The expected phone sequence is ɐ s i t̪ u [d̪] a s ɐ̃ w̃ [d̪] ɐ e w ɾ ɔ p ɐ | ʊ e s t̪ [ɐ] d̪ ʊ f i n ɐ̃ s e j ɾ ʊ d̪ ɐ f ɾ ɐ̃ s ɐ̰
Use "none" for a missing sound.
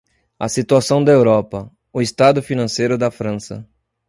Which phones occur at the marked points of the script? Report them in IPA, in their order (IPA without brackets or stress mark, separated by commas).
none, d̪, a